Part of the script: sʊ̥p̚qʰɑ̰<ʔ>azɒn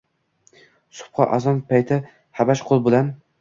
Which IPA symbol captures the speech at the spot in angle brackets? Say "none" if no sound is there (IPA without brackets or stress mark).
ʔ